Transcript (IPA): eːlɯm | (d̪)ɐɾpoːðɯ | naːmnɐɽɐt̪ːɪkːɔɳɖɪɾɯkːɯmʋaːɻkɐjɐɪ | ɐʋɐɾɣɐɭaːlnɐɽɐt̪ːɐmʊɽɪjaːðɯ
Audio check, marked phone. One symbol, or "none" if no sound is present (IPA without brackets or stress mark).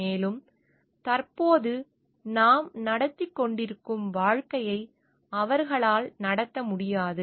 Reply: t̪